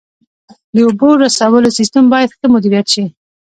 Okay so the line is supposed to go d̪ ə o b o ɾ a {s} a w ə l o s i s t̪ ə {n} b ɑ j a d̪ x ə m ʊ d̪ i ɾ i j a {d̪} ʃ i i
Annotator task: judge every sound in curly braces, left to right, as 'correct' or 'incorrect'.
correct, incorrect, incorrect

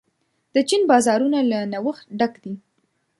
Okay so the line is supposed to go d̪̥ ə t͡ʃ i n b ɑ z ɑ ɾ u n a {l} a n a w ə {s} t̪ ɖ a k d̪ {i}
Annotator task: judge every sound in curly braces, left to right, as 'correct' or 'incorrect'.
correct, incorrect, correct

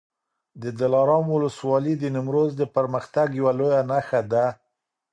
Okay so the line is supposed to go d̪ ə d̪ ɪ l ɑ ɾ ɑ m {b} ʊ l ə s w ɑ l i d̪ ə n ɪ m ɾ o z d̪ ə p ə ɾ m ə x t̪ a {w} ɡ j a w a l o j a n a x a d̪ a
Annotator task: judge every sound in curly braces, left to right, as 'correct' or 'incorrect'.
incorrect, incorrect

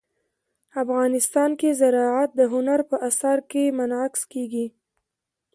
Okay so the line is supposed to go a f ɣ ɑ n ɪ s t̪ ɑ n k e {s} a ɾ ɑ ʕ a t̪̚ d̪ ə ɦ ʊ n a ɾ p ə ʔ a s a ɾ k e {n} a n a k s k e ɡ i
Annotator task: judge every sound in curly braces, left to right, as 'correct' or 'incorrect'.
incorrect, incorrect

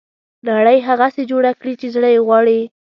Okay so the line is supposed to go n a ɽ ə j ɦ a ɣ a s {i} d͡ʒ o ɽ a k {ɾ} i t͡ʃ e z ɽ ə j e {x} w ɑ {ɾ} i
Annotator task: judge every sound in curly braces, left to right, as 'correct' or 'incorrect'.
incorrect, incorrect, incorrect, incorrect

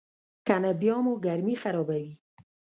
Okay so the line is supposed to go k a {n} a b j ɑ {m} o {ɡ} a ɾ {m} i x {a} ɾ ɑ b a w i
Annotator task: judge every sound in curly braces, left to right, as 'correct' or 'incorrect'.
correct, correct, correct, correct, correct

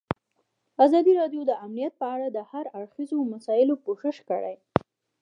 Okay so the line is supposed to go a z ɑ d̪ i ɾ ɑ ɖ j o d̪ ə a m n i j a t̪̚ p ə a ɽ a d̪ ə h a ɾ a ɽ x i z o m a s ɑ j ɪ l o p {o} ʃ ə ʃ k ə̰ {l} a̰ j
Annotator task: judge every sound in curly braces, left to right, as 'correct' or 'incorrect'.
correct, incorrect

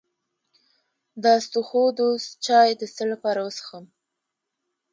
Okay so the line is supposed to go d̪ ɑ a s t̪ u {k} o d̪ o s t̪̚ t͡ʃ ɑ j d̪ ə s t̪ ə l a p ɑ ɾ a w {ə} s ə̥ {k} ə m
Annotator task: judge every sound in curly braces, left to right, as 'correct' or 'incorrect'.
incorrect, correct, incorrect

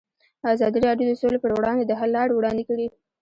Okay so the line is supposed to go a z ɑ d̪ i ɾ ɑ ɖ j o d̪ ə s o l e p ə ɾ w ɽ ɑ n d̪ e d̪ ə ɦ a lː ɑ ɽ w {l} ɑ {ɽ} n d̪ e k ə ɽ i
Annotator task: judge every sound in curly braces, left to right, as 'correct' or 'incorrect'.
incorrect, incorrect

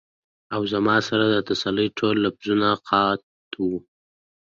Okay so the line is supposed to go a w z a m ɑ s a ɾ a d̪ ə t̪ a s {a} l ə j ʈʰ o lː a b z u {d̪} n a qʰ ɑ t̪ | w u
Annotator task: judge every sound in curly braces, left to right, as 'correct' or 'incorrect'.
correct, incorrect

